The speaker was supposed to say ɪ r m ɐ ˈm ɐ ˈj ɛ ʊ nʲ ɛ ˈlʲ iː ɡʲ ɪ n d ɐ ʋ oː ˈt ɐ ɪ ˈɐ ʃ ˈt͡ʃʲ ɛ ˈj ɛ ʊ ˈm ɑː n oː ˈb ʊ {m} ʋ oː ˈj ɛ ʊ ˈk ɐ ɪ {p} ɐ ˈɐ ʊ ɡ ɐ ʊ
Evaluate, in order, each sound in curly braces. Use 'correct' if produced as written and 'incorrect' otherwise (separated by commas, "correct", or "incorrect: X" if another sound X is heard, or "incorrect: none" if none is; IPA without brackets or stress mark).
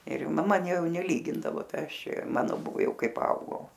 incorrect: none, correct